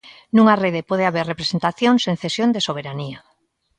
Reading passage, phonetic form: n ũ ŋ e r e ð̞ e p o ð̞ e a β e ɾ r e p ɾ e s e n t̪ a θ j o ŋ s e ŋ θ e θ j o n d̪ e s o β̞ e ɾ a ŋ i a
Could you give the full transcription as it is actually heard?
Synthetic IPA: n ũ ŋ a r e ð̞ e p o ð̞ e a β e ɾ r e p ɾ e s e n t̪ a θ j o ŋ s e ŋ θ e s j o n d̪ e s o β̞ e ɾ a n i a